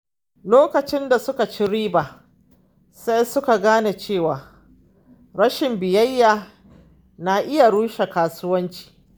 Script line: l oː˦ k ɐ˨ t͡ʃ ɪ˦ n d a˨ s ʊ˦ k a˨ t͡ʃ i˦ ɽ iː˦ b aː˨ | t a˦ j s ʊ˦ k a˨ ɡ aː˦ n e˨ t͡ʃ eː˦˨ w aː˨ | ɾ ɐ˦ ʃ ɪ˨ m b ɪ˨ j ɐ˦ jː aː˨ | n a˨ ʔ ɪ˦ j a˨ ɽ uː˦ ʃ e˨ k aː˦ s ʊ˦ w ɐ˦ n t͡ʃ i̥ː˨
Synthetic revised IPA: l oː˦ k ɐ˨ t͡ʃ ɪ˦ n d a˨ s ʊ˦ k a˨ t͡ʃ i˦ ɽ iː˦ b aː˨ | s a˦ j s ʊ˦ k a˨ ɡ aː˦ n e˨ t͡ʃ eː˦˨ w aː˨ | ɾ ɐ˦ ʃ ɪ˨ m b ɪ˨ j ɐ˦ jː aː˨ | n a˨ ʔ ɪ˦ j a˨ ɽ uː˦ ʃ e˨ k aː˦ s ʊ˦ w ɐ˦ n t͡ʃ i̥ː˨